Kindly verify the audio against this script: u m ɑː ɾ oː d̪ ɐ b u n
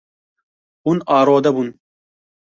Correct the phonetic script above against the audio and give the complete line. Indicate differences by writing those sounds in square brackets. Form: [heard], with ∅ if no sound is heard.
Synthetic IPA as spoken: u [n] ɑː ɾ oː d̪ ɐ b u n